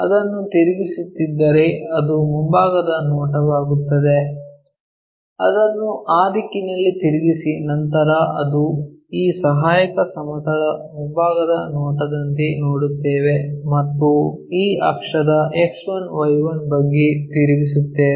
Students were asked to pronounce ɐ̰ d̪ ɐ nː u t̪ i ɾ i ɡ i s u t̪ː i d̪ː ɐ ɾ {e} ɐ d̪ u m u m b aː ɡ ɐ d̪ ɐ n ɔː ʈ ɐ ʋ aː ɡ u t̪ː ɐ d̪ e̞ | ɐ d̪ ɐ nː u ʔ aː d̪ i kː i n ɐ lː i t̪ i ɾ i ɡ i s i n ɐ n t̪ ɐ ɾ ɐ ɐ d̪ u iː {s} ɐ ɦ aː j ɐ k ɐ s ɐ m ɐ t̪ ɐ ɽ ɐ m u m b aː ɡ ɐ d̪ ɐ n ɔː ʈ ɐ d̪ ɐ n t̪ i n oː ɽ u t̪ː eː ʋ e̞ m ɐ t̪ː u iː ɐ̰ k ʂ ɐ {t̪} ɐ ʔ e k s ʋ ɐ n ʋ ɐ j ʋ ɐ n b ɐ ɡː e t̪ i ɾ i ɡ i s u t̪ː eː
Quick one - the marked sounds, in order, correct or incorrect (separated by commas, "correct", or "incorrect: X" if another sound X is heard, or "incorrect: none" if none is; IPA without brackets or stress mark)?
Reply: correct, correct, incorrect: d̪